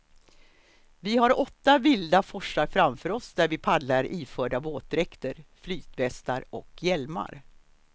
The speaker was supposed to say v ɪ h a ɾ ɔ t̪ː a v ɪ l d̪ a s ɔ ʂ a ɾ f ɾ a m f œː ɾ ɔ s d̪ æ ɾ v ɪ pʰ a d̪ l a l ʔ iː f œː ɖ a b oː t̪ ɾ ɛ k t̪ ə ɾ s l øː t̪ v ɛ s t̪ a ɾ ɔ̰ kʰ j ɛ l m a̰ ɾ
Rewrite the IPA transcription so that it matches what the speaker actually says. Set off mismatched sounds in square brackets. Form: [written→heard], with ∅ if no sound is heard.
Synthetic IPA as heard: v ɪ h a ɾ ɔ t̪ː a v ɪ l d̪ a [s→f] ɔ ʂ a ɾ f ɾ a m f œː ɾ ɔ s d̪ æ ɾ v ɪ pʰ a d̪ l a [l→ɾ] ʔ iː f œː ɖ a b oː t̪ ɾ ɛ k t̪ ə ɾ [s→f] l [øː→yː] t̪ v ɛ s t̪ a ɾ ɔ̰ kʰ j ɛ l m a̰ ɾ